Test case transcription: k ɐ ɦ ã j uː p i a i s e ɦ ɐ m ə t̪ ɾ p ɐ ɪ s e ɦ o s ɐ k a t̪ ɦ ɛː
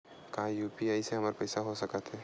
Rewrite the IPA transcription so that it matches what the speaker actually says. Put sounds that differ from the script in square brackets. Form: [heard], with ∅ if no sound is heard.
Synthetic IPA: k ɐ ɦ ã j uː p i a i s e ɦ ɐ m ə [∅] ɾ p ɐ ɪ s [a] ɦ o s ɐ k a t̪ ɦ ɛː